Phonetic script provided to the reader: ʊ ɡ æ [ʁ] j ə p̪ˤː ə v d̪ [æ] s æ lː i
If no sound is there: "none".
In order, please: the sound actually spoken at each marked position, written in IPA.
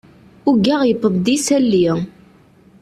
ʁ, i

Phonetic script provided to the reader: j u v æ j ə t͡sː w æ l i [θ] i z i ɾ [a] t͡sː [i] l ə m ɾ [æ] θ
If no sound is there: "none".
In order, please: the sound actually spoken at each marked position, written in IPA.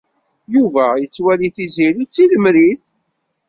θ, i, i, i

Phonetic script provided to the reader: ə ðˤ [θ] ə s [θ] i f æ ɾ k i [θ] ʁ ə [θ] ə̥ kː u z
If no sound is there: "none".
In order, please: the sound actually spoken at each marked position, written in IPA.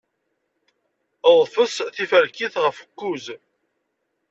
f, θ, θ, f

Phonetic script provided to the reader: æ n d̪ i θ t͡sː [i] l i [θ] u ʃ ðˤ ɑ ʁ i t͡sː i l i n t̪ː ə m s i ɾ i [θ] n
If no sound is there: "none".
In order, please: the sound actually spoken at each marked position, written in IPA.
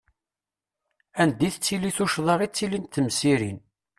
i, θ, none

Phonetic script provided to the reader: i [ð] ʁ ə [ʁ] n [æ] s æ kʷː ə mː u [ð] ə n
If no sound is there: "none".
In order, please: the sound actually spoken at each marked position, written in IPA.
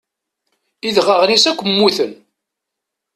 ð, ʁ, i, θ

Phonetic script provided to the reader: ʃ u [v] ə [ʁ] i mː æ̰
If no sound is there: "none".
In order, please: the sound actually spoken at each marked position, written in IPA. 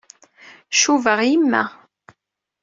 v, ʁ

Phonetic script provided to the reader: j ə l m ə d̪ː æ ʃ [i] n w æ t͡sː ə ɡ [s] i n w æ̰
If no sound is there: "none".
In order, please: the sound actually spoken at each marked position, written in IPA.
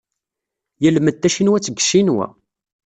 i, ʃ

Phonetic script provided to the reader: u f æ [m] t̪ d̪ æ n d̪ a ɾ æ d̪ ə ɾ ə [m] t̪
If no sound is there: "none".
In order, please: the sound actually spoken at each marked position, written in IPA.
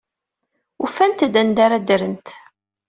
n, n

